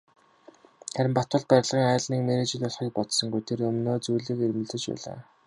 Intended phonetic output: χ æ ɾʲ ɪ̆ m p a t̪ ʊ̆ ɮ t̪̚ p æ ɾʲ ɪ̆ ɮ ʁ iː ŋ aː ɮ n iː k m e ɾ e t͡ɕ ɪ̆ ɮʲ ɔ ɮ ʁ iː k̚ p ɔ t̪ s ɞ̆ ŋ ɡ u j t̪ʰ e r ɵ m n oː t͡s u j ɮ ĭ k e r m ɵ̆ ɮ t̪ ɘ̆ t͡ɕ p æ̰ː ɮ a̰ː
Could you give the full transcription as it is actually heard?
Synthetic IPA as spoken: χ æ ɾʲ ɪ̆ m p a t̪ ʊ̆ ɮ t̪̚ p æ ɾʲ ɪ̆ ɮ ʁ iː ŋ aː ɮ n iː k m e ɾ e t͡ɕ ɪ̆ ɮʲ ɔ ɮ χ iː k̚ p ɔ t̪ s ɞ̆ ŋ ɡ u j t̪ʰ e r ɵ m n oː t͡s u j ɮ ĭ k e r m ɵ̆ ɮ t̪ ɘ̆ t͡ɕ p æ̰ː ɮ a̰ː